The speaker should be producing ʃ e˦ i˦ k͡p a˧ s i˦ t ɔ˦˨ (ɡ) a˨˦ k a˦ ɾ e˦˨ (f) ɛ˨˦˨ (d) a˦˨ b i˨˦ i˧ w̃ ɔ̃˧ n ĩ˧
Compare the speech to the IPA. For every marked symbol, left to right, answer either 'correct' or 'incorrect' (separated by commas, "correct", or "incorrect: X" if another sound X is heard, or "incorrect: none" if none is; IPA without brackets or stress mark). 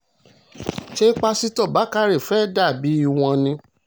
incorrect: b, correct, correct